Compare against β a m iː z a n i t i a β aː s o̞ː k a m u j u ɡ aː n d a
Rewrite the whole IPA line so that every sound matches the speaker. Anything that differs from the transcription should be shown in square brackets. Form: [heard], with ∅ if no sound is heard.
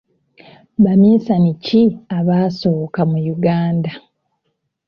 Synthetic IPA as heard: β a m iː [s] a n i [c] i a β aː s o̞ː k a m u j u ɡ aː n d a